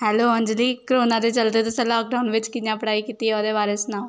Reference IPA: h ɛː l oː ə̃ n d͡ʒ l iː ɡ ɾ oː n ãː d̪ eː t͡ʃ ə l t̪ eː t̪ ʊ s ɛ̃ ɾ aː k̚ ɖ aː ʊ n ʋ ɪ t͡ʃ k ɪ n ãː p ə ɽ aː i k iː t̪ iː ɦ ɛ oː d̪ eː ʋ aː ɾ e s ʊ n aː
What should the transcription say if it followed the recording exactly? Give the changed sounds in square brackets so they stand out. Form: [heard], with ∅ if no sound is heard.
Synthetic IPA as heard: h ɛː l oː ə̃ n d͡ʒ l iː [k] ɾ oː n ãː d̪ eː t͡ʃ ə l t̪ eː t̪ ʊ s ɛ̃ [l] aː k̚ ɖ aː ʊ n ʋ ɪ t͡ʃ k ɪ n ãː p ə ɽ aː i k iː t̪ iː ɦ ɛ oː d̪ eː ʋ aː ɾ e s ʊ n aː